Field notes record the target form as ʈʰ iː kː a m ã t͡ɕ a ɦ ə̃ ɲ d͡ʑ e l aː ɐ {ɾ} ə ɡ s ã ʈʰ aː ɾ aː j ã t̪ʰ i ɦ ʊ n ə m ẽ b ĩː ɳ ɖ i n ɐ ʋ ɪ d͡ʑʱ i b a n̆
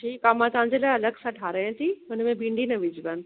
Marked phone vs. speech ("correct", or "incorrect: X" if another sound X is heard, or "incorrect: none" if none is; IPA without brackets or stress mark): incorrect: l